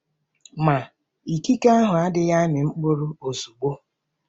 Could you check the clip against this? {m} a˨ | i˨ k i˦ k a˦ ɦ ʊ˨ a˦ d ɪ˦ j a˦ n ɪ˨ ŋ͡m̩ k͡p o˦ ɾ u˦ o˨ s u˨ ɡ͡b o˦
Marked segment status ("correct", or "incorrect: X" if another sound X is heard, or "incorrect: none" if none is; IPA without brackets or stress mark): correct